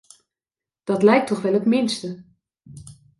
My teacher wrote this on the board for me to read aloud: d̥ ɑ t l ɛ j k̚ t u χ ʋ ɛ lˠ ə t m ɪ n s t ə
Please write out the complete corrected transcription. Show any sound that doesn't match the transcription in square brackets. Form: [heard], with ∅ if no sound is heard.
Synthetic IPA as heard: d̥ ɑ t l ɛ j k̚ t [ɔ] χ ʋ ɛ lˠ ə t m ɪ n s t ə